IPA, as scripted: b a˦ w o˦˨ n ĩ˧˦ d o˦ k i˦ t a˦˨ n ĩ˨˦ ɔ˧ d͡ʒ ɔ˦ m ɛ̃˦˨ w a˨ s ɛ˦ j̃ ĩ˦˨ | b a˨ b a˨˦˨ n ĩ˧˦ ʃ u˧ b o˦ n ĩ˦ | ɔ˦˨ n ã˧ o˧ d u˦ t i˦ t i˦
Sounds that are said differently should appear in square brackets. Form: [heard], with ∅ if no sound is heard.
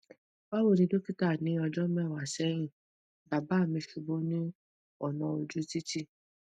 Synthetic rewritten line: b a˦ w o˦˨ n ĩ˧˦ d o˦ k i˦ t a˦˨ n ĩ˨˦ ɔ˧ d͡ʒ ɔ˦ m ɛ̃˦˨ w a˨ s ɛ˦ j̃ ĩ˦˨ | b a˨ b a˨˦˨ [m] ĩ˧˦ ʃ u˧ b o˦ n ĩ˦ | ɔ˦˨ n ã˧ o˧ [d͡ʒ] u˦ t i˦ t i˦